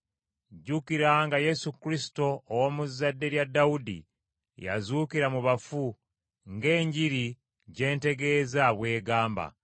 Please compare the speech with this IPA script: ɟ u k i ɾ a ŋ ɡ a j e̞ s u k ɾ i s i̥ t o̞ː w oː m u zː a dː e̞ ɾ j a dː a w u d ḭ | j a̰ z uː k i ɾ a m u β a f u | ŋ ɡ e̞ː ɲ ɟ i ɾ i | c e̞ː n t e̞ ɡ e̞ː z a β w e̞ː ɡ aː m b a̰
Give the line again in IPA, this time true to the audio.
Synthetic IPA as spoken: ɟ u k i ɾ a ŋ ɡ a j e̞ s u k ɾ i s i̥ t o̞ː w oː m u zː a dː e̞ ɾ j a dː a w u d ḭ | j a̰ z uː k i ɾ a m u β a f u | ŋ ɡ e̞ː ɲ ɟ i ɾ i | ɟ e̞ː n t e̞ ɡ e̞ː z a β w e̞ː ɡ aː m b a̰